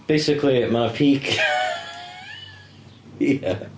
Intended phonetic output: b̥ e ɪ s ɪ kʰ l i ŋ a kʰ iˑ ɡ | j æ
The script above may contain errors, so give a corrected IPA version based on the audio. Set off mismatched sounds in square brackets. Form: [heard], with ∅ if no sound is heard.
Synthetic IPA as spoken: b̥ e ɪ s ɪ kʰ l i [m] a [pʰ] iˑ [k] | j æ